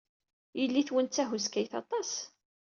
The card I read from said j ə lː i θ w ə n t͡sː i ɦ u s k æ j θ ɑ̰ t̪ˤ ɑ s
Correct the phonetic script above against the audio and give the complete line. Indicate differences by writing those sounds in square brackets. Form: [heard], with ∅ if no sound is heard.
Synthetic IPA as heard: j ə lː i θ w ə n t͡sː [æ] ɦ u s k æ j θ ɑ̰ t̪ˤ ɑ s